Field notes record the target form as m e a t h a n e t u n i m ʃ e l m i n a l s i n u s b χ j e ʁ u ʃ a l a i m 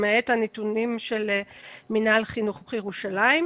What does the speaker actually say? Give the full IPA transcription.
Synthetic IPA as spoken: m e e t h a n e t u n i m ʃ e l m i n a l χ i n u χ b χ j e ʁ u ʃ a l a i m